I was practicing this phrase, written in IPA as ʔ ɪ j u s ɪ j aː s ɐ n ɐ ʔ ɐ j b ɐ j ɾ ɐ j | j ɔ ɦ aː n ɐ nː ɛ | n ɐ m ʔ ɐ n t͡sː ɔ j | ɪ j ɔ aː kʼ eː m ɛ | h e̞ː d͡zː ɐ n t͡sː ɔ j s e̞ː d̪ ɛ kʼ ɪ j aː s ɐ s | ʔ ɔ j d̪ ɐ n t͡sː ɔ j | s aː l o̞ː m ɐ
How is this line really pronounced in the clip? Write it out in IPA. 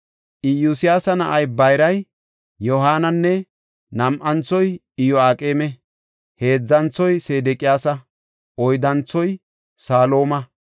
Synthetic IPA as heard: ʔ ɪ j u s ɪ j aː s ɐ n ɐ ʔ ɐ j b ɐ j ɾ ɐ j | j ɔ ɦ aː n ɐ nː ɛ | n ɐ m ʔ ɐ n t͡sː ɔ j | ɪ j ɔ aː kʼ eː m ɛ | h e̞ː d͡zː ɐ n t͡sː ɔ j s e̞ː d̪ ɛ kʼ ɪ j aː s ɐ | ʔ ɔ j d̪ ɐ n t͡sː ɔ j | s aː l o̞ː m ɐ

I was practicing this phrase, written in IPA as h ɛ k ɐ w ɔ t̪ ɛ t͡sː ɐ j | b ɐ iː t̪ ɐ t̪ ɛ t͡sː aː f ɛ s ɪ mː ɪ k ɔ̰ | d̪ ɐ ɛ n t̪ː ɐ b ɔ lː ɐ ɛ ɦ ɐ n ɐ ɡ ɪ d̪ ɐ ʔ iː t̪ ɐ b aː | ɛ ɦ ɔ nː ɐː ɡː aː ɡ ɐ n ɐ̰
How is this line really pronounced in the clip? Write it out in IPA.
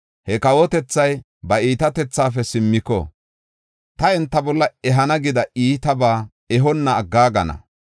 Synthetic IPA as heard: h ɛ k ɐ w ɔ t̪ ɛ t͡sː ɐ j | b ɐ iː t̪ ɐ t̪ ɛ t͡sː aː f ɛ s ɪ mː ɪ k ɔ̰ | t̪ ɐ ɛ n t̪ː ɐ b ɔ lː ɐ ɛ ɦ ɐ n ɐ ɡ ɪ d̪ ɐ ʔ iː t̪ ɐ b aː | ɛ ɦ ɔ nː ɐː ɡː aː ɡ ɐ n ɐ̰

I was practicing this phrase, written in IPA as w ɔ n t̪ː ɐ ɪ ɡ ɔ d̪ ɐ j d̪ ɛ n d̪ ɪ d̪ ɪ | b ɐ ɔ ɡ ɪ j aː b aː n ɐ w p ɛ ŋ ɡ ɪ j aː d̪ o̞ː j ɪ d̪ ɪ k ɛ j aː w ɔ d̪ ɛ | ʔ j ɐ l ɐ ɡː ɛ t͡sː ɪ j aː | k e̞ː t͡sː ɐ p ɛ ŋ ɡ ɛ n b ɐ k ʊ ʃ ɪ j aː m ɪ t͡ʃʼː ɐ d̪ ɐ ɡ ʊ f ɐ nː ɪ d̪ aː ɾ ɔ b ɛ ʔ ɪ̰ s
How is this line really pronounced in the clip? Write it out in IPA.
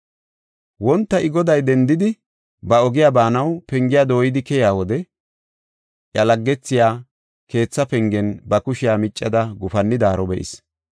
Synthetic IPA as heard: w ɔ n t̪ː ɐ ɪ ɡ ɔ d̪ ɐ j d̪ ɛ n d̪ ɪ d̪ ɪ | b ɐ ɔ ɡ ɪ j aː b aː n ɐ w p ɛ ŋ ɡ ɪ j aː d̪ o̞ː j ɪ d̪ ɪ k ɛ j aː w ɔ d̪ ɛ | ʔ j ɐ l ɐ ɡː ɛ t͡sː ɪ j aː | k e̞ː t͡sː ɐ p ɛ ŋ ɡ ɛ n b ɐ k ʊ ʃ ɪ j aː m ɪ t͡ʃʼː ɐ d̪ ɐ ɡ ʊ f ɐ nː ɪ d̪ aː ɾ ɔ b ɛ ʔ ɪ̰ s

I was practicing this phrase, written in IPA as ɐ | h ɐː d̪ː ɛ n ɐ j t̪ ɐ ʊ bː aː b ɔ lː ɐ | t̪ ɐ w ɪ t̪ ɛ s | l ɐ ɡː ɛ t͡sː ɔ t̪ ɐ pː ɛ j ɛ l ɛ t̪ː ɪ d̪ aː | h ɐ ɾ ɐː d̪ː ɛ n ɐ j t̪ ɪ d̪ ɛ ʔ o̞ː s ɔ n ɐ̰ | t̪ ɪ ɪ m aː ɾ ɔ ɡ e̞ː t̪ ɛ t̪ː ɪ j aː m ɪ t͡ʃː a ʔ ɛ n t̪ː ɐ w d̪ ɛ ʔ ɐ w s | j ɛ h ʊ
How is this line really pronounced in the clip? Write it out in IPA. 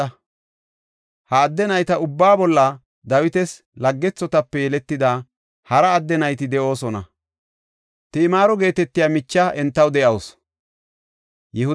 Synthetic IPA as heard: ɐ | h ɐː d̪ː ɛ n ɐ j t̪ ɐ ʊ bː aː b ɔ lː ɐ | d̪ ɐ w ɪ t̪ ɛ s | l ɐ ɡː ɛ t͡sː ɔ t̪ ɐ pː ɛ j ɛ l ɛ t̪ː ɪ d̪ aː | h ɐ ɾ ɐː d̪ː ɛ n ɐ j t̪ ɪ d̪ ɛ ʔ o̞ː s ɔ n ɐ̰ | t̪ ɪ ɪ m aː ɾ ɔ ɡ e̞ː t̪ ɛ t̪ː ɪ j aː m ɪ t͡ʃː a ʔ ɛ n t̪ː ɐ w d̪ ɛ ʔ ɐ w s | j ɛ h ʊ

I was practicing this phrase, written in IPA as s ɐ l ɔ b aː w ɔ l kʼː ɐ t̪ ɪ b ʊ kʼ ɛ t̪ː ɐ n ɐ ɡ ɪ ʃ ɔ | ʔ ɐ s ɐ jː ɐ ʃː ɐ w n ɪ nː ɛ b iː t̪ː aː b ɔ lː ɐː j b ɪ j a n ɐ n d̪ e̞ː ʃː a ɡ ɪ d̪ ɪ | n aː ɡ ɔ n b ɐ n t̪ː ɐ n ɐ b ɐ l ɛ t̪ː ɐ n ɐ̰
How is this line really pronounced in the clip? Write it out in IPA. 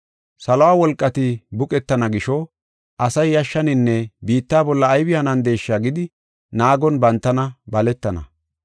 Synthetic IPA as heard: s ɐ l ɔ w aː w ɔ l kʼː ɐ t̪ ɪ b ʊ kʼ ɛ t̪ː ɐ n ɐ ɡ ɪ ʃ ɔ | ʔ ɐ s ɐ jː ɐ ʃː ɐ n ɪ nː ɛ b iː t̪ː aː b ɔ lː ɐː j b ɪ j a n ɐ n d̪ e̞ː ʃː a ɡ ɪ d̪ ɪ | n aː ɡ ɔ n b ɐ n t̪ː ɐ n ɐ b ɐ l ɛ t̪ː ɐ n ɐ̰

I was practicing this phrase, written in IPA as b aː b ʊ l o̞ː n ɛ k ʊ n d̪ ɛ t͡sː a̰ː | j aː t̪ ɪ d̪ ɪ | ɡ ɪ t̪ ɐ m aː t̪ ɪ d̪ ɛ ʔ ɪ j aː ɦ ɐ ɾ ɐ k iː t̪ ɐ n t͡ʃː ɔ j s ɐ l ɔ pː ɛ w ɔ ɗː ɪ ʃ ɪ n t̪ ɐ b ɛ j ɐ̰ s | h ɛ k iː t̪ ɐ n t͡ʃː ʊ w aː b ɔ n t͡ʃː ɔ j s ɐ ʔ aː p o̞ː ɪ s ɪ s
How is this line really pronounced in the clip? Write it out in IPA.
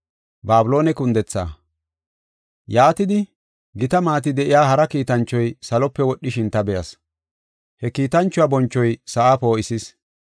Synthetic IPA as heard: b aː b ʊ l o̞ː n ɛ k ʊ n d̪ ɛ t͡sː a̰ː | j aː t̪ ɪ d̪ ɪ | ɡ ɪ t̪ ɐ m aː t̪ ɪ d̪ ɛ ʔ ɪ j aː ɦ ɐ ɾ ɐ k iː t̪ ɐ n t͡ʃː ɔ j s ɐ l ɔ pː ɛ w ɔ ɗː ɪ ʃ ɪ n t̪ ɐ b ɛ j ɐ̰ s | h ɛ k iː t̪ ɐ n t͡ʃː ʊ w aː b ɔ n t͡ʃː ɔ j s ɐ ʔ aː p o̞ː ɪ s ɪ s

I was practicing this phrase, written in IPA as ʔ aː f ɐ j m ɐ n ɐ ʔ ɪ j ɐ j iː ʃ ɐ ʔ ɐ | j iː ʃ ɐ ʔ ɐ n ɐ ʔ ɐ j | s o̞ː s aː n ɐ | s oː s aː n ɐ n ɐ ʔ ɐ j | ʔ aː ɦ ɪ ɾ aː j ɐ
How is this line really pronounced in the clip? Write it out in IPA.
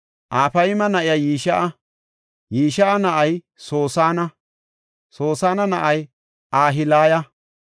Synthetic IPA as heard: ʔ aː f ɐ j m ɐ n ɐ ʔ ɪ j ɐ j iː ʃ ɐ ʔ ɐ | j iː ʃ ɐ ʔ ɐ n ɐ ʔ ɐ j | s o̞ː s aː n ɐ | s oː s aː n ɐ n ɐ ʔ ɐ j | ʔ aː ɦ ɪ l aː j ɐ

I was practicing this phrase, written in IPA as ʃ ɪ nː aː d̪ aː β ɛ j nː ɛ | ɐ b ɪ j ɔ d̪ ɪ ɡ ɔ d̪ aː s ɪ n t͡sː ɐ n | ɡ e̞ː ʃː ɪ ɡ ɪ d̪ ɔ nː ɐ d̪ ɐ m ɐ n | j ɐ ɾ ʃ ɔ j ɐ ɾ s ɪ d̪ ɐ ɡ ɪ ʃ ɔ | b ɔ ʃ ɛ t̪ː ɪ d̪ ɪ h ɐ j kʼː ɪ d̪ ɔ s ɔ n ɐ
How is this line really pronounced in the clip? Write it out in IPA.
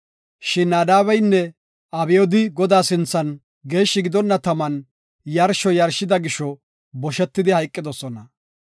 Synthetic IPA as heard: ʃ ɪ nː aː d̪ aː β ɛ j nː ɛ | ɐ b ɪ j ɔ d̪ ɪ ɡ ɔ d̪ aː s ɪ n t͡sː ɐ n | ɡ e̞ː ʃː ɪ ɡ ɪ d̪ ɔ nː ɐ t̪ ɐ m ɐ n | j ɐ ɾ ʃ ɔ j ɐ ɾ ʃ ɪ d̪ ɐ ɡ ɪ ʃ ɔ | b ɔ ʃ ɛ t̪ː ɪ d̪ ɪ h ɐ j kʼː ɪ d̪ ɔ s ɔ n ɐ

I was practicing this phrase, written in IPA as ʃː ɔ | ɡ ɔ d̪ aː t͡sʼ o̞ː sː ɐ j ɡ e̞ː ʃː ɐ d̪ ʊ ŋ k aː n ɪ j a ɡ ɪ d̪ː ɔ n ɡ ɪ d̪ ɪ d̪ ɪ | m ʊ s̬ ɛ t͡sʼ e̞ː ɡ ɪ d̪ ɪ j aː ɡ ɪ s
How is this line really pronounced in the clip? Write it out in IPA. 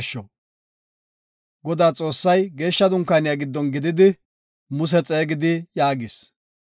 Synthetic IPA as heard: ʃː ɔ | ɡ ɔ d̪ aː t͡sʼ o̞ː sː ɐ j ɡ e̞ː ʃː ɐ d̪ ʊ ŋ k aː n ɪ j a ɡ ɪ d̪ː ɔ n ɡ ɪ d̪ ɪ d̪ ɪ | m ʊ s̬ ɛ t͡sʼ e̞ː ɡ ɪ d̪ ɪ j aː ɡ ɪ s

